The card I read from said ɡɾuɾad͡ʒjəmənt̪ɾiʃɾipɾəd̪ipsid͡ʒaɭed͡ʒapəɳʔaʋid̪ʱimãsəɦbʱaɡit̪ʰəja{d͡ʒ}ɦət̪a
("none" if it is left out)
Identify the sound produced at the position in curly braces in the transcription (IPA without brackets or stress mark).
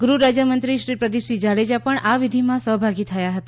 none